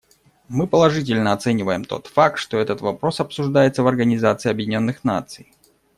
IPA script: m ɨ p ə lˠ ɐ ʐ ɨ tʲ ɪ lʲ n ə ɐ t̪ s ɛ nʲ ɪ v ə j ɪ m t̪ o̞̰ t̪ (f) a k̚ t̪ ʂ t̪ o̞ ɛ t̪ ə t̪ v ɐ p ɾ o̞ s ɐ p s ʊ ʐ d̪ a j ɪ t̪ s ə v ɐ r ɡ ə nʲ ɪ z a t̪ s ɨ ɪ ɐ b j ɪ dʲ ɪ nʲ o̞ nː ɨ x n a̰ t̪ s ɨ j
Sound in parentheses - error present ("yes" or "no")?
no